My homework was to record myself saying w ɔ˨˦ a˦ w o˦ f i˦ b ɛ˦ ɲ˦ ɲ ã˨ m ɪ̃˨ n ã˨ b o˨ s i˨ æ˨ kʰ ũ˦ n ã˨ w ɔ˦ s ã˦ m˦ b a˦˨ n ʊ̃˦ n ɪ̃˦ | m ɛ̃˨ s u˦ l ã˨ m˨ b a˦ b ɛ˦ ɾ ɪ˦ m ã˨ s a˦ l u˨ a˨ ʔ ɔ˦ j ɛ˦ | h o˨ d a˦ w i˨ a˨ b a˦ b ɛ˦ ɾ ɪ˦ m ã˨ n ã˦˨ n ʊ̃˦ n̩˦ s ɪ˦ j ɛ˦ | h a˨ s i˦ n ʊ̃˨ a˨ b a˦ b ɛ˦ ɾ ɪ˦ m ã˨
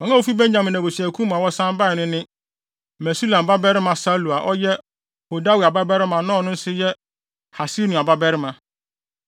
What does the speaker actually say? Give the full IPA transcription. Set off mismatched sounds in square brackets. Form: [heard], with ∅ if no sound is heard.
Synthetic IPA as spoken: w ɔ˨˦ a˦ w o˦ f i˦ b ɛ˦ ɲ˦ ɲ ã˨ m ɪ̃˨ n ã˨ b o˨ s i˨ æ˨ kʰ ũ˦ [m] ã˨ w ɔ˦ s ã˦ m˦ b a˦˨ n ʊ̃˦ n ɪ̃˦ | m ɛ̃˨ s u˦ l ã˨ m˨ b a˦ b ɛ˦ ɾ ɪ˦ m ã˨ s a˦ l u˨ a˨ ʔ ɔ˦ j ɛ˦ | h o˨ d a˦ w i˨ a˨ b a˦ b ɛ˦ ɾ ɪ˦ m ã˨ n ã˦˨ n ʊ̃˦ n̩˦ s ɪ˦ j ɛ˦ | h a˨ s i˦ n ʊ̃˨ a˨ b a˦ b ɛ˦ ɾ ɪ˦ m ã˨